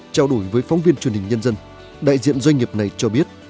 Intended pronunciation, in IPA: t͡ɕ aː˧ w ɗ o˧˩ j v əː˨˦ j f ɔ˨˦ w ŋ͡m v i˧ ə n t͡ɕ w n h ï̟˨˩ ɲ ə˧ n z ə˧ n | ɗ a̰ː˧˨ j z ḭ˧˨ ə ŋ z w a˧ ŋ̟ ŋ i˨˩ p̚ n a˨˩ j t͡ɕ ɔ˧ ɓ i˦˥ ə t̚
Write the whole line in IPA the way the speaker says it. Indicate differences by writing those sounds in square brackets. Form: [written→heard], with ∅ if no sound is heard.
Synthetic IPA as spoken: t͡ɕ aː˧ w ɗ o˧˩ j v əː˨˦ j f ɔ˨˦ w ŋ͡m v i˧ ə n t͡ɕ w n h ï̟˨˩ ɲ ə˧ n z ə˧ n | ɗ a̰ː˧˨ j z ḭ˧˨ ə [ŋ→n] z w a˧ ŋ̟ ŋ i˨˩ p̚ n a˨˩ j t͡ɕ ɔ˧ ɓ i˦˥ ə t̚